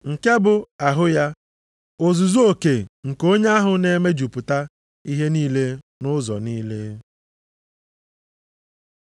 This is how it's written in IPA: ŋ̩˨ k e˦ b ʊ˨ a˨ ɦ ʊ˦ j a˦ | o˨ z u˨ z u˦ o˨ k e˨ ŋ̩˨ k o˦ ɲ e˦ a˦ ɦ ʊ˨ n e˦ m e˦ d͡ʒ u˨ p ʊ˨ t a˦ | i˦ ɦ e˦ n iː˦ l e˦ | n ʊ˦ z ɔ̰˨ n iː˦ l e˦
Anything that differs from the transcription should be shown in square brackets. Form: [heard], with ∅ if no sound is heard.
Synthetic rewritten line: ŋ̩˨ k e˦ b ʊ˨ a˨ ɦ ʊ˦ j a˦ | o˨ z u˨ z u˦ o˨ k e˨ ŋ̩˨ k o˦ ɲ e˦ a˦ ɦ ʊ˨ n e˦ m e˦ d͡ʒ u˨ p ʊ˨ t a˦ | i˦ ɦ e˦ n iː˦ l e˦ | n ʊ˦ z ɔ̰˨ n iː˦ l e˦